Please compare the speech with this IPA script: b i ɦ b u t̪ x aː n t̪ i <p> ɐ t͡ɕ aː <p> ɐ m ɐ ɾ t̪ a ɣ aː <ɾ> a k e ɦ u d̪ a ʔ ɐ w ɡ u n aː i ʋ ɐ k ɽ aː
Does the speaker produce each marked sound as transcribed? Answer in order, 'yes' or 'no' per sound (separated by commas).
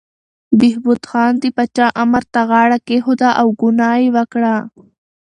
yes, no, no